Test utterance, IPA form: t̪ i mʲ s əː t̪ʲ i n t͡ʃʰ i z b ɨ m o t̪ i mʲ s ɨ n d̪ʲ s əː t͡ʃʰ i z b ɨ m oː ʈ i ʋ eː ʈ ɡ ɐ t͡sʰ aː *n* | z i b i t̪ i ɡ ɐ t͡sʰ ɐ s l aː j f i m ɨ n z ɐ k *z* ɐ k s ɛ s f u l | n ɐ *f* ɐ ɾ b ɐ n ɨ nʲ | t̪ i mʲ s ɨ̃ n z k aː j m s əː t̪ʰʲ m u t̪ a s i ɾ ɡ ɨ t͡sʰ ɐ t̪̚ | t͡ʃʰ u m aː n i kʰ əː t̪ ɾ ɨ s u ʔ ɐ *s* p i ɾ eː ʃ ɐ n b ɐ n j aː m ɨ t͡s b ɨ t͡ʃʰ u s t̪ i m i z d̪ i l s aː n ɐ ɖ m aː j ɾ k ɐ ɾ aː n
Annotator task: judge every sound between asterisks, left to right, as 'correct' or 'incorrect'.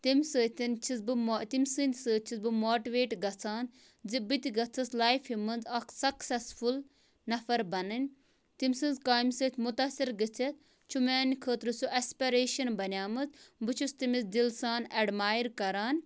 correct, incorrect, correct, correct

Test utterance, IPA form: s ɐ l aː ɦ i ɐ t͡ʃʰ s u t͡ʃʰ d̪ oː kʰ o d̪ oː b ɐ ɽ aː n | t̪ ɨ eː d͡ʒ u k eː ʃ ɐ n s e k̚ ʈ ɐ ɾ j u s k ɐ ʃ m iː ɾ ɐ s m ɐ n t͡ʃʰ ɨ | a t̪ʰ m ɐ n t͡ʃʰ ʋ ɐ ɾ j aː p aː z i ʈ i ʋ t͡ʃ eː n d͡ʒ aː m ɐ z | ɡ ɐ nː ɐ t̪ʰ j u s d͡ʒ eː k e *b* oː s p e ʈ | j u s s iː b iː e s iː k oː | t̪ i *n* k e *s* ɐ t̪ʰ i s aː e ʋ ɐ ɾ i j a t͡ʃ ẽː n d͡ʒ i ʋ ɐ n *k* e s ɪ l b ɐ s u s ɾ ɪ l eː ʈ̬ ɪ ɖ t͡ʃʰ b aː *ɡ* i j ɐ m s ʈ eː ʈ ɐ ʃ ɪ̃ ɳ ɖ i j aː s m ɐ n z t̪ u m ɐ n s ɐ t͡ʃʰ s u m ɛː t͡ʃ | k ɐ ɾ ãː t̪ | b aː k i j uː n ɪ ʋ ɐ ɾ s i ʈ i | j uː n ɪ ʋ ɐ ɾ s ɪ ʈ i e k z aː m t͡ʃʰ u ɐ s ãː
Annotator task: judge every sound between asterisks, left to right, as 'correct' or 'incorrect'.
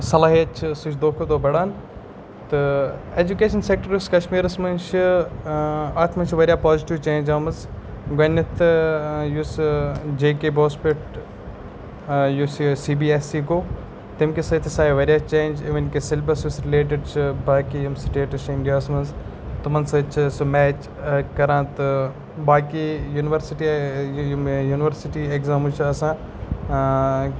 correct, incorrect, correct, correct, incorrect

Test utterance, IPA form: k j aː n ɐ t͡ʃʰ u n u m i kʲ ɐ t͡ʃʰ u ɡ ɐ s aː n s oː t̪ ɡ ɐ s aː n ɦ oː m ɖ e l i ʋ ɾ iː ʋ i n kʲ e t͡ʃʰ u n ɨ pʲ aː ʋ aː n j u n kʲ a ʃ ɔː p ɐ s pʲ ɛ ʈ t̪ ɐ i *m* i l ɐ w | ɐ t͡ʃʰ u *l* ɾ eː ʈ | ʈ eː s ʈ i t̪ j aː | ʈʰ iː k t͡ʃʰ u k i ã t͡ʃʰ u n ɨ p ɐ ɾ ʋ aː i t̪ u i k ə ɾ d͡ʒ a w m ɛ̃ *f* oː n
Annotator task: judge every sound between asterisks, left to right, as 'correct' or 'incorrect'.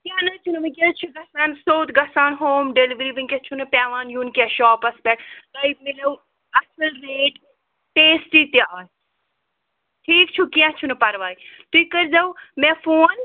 correct, correct, correct

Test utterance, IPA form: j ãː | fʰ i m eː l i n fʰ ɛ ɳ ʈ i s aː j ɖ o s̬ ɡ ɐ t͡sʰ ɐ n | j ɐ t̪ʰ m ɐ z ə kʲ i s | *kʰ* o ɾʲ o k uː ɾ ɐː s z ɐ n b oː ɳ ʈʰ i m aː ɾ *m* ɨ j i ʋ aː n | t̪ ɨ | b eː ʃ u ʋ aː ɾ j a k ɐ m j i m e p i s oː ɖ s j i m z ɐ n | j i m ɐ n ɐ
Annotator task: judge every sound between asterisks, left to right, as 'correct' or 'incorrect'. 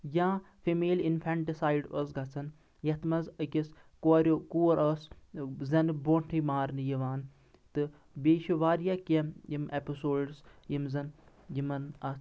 incorrect, incorrect

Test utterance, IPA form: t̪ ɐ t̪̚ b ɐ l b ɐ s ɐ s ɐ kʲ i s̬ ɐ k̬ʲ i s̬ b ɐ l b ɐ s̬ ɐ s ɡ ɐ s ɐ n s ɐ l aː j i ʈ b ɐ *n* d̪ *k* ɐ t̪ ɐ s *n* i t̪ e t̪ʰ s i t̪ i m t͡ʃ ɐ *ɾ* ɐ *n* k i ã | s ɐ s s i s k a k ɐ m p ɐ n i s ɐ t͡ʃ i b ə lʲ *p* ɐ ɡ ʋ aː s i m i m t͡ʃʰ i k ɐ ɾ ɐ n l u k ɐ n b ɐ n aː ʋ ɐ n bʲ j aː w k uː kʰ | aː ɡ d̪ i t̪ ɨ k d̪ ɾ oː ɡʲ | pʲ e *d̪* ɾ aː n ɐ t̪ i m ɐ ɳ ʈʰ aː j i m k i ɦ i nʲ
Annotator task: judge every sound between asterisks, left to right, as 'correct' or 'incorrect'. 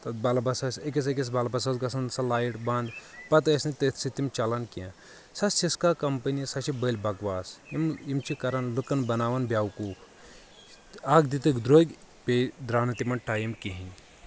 correct, incorrect, correct, incorrect, correct, incorrect, correct

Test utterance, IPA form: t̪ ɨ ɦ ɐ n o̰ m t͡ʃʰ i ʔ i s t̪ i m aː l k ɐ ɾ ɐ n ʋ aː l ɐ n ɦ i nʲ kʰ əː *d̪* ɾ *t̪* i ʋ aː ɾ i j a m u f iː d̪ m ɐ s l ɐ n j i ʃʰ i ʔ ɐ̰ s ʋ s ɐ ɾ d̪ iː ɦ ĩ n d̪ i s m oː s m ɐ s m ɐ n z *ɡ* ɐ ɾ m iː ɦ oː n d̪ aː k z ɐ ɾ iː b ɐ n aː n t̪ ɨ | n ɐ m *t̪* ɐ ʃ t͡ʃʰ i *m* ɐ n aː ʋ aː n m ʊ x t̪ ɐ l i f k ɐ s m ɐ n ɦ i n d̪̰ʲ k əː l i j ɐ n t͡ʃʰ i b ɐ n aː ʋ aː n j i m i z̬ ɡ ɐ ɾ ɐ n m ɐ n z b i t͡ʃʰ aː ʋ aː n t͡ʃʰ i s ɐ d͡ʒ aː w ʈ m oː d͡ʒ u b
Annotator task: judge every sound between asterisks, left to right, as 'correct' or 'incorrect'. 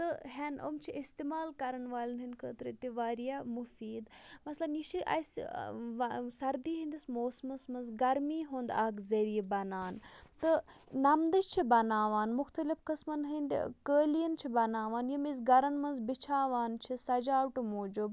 incorrect, correct, correct, incorrect, incorrect

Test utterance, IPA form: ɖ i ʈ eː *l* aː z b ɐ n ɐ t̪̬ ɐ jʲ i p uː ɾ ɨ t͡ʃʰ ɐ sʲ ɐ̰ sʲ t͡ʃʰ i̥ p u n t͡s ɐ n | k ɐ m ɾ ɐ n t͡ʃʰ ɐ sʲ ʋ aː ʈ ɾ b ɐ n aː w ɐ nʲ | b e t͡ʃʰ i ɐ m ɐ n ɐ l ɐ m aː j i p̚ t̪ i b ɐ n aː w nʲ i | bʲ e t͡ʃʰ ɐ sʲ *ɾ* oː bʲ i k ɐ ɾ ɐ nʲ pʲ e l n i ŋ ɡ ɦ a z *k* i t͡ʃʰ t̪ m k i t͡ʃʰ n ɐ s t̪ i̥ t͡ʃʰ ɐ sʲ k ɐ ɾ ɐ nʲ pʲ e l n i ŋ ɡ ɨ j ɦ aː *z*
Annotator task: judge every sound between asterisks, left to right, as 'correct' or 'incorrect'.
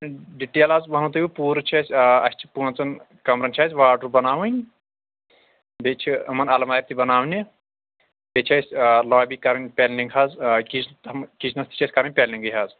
correct, incorrect, correct, correct

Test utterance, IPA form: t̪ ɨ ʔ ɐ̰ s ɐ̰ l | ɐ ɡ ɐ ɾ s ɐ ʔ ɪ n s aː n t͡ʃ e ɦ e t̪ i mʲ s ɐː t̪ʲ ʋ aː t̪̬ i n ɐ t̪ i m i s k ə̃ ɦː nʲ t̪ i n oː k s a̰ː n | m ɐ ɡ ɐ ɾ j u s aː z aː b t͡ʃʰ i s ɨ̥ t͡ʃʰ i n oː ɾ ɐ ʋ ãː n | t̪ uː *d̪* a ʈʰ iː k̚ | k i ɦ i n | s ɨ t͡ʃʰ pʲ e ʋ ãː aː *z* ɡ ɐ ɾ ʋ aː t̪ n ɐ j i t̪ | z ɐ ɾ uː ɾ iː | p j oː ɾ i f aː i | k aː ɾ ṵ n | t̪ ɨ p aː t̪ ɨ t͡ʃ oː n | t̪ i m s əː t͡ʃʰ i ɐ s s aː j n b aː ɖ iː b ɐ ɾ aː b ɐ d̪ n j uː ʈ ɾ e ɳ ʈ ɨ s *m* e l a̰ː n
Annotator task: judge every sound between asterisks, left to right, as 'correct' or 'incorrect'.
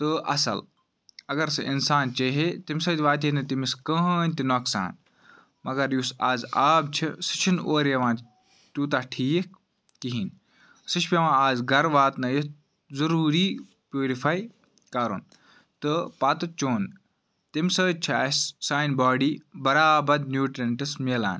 incorrect, correct, correct

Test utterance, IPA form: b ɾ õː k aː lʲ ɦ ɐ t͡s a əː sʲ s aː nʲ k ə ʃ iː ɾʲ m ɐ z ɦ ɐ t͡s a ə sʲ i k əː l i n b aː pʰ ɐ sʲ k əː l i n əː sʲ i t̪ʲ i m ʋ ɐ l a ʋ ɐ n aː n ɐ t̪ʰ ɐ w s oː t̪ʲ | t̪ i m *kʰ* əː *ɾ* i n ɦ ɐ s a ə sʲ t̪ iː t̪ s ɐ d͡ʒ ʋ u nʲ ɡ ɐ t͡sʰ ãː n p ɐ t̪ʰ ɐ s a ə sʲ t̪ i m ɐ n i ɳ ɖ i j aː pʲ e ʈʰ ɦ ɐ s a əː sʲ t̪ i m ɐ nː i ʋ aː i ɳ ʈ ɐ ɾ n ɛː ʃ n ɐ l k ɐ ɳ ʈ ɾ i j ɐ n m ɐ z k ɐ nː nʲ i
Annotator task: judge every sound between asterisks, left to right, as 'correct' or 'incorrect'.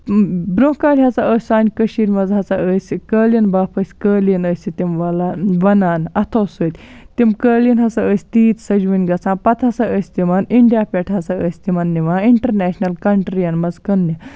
incorrect, incorrect

